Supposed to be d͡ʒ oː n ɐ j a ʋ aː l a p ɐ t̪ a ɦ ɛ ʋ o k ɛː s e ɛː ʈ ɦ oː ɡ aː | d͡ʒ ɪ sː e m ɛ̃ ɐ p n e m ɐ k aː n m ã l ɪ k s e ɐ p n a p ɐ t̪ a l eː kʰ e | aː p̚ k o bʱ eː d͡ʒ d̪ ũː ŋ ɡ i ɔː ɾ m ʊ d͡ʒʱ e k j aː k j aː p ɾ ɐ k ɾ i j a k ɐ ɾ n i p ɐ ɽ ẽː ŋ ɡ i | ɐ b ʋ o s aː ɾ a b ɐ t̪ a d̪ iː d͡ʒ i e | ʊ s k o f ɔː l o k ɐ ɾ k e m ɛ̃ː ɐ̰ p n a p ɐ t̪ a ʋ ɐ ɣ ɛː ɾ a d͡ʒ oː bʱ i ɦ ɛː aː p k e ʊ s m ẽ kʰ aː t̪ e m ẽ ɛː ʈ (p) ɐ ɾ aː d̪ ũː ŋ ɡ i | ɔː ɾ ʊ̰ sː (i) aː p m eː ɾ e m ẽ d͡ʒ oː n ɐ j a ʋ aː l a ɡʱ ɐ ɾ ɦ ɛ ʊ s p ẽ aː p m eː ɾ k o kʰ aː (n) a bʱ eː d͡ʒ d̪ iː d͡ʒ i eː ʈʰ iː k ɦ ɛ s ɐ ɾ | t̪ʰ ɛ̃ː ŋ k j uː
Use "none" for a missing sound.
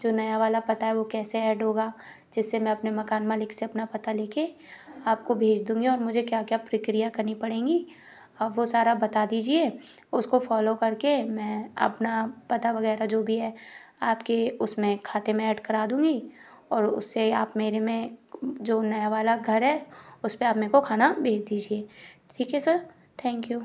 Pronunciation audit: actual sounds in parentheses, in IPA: k, e, n

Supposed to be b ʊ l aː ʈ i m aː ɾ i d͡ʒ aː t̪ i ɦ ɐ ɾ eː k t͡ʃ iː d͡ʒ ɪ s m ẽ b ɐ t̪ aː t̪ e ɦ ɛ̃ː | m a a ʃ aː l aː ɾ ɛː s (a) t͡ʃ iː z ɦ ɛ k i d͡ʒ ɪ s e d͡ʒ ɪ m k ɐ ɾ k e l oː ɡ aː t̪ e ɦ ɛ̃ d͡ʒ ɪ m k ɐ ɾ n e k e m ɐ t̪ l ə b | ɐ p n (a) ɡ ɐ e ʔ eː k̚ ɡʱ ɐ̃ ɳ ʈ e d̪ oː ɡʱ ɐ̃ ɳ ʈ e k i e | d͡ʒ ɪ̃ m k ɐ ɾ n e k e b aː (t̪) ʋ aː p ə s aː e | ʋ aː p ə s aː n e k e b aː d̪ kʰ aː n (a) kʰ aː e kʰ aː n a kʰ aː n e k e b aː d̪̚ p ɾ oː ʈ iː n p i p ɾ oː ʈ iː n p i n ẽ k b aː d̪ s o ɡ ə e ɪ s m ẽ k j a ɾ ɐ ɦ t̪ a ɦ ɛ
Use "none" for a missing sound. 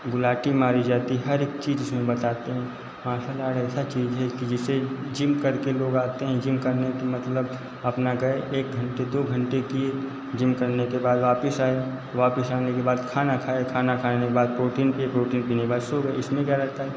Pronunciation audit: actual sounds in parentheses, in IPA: a, a, d̪, a

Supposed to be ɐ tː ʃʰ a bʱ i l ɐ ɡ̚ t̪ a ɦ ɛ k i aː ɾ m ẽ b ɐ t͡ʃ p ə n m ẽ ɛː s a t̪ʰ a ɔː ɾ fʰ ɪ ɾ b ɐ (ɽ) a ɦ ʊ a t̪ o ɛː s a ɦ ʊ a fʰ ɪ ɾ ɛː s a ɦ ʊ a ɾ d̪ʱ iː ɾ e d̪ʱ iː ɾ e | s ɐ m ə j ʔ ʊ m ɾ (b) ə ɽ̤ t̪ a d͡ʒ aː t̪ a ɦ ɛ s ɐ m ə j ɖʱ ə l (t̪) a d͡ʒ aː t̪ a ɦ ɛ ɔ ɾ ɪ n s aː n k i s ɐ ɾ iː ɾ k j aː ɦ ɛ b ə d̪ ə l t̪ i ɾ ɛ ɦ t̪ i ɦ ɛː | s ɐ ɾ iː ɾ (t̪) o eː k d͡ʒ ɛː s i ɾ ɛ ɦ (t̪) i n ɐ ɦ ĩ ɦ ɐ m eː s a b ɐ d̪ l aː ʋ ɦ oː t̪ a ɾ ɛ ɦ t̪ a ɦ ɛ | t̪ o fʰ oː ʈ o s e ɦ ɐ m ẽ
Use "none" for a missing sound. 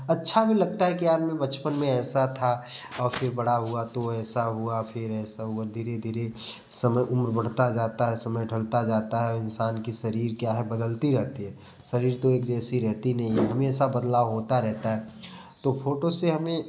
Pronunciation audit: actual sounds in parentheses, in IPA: ɽ, b, t̪, t̪, t̪

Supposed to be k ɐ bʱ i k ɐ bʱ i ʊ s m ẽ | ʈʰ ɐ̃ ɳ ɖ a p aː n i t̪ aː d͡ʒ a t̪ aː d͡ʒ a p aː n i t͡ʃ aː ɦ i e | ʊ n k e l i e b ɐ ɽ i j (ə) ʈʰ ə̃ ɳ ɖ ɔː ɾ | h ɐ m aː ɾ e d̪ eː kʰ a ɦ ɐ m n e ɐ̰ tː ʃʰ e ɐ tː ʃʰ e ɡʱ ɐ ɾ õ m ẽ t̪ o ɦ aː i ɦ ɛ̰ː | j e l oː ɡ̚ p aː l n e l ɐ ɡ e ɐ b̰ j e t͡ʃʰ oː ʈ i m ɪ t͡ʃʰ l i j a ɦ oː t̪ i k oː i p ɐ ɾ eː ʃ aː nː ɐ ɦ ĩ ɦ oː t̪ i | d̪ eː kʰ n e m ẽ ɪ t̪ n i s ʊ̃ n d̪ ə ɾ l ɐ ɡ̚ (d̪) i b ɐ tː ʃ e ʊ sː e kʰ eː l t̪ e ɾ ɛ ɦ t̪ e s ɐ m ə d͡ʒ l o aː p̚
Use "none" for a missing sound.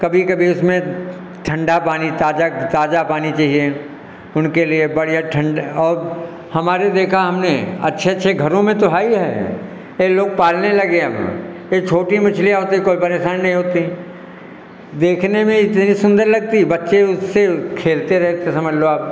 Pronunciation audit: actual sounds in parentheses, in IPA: a, t̪

